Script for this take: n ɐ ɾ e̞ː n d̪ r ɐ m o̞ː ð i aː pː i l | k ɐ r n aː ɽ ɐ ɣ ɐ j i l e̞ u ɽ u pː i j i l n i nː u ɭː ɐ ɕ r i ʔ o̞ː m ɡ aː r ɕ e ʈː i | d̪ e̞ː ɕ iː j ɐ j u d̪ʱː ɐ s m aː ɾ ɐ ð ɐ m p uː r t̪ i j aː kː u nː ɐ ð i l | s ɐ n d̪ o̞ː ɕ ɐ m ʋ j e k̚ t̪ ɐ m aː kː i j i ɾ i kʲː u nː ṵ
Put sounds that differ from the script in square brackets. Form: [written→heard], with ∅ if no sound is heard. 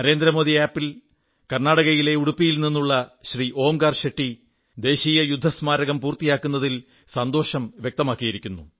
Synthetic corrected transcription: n ɐ ɾ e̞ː n d̪ [r→ɾ] ɐ m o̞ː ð i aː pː i l | k ɐ r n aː ɽ ɐ ɣ ɐ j i l e̞ u ɽ u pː i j i l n i nː u ɭː ɐ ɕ r i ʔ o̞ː m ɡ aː r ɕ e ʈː i | d̪ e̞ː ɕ iː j ɐ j u d̪ʱː ɐ s m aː ɾ ɐ [ð→ɣ] ɐ m p uː r t̪ i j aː kː u nː ɐ ð i l | s ɐ n d̪ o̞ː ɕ ɐ m ʋ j e k̚ t̪ ɐ m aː kː i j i ɾ i kʲː u nː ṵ